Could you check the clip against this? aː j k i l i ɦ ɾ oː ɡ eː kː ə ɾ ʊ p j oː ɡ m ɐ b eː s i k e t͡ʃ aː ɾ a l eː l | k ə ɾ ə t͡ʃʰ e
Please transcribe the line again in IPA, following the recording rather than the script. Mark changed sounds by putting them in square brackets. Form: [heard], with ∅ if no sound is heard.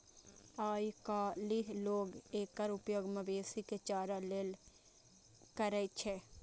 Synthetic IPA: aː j k [a] l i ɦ [l] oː ɡ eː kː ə ɾ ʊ p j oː ɡ m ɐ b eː s i k e t͡ʃ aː ɾ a l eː l | k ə ɾ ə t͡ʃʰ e